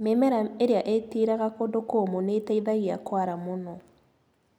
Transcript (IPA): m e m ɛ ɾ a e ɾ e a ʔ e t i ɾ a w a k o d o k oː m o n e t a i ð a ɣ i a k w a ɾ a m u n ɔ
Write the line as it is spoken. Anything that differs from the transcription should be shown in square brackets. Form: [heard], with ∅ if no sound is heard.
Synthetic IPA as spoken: m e m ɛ ɾ a e ɾ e a ʔ e t i ɾ a [ɣ] a k o d o k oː m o n e t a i ð a ɣ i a k w a ɾ a m [o] n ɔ